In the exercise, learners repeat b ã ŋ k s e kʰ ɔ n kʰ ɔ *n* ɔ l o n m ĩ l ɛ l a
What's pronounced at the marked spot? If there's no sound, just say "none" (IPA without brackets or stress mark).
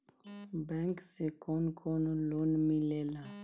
n